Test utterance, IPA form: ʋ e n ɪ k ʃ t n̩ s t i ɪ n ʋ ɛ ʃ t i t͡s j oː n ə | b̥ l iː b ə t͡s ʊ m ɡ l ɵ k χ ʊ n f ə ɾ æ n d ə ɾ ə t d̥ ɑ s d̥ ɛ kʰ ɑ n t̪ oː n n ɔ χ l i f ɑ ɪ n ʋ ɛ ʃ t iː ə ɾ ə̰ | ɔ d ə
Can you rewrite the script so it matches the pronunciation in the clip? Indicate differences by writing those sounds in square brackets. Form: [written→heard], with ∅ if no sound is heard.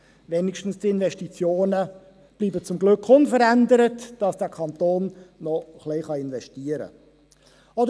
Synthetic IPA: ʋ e n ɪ k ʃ t n̩ s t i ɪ n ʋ ɛ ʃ t i t͡s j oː n ə | b̥ l iː b ə t͡s ʊ m ɡ l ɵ k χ ʊ n f ə ɾ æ n d ə ɾ ə t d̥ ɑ s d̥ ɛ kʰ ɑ n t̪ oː n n ɔ χ l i [f→χ] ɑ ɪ n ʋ ɛ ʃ t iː ə ɾ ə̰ | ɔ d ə